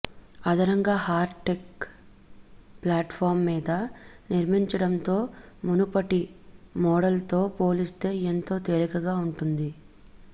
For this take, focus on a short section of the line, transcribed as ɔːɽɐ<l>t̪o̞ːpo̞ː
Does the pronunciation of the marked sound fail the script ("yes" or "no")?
no